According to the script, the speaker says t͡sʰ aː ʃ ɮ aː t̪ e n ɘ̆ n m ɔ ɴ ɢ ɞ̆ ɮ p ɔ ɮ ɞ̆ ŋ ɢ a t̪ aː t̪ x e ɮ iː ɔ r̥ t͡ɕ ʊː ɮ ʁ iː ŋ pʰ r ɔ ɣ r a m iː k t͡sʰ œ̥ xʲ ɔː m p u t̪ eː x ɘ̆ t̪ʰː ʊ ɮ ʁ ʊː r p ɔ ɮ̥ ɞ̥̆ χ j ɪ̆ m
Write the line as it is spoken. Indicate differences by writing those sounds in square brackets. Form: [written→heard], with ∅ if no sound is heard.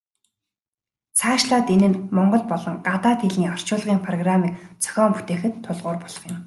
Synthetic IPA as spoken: t͡sʰ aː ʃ ɮ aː t̪ e n ɘ̆ n m ɔ ɴ ɢ ɞ̆ ɮ p ɔ ɮ ɞ̆ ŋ ɢ a t̪ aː t̪ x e ɮ iː ɔ r̥ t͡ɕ ʊː ɮ ʁ iː ŋ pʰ r ɔ ɣ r a m iː k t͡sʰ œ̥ xʲ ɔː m p u t̪ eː x ɘ̆ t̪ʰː ʊ ɮ ʁ ʊː r p ɔ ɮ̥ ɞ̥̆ χ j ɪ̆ m